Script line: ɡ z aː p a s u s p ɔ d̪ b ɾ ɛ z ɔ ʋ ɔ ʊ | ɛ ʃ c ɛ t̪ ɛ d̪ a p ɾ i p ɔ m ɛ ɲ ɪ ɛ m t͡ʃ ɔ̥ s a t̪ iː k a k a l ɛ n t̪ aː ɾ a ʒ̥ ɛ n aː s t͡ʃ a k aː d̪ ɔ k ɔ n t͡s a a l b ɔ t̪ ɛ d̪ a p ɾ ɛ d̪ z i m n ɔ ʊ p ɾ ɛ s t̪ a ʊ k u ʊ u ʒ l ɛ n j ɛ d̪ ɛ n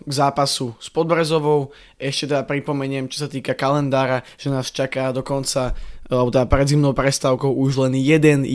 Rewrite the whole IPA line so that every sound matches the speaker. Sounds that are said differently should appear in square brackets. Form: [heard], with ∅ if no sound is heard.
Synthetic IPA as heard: ɡ z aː p a s u s p ɔ d̪ b ɾ ɛ z ɔ ʋ ɔ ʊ | ɛ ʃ c ɛ t̪ ɛ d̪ a p ɾ i p ɔ m ɛ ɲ ɪ ɛ m t͡ʃ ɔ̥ s a t̪ iː k a k a l ɛ n [d̪] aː ɾ a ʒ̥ ɛ n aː s t͡ʃ a k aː d̪ ɔ k ɔ n t͡s a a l b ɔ t̪ ɛ d̪ a p ɾ ɛ d̪ z i m n ɔ ʊ p ɾ ɛ s t̪ a ʊ k [ɔ] ʊ u ʒ l ɛ n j ɛ d̪ ɛ n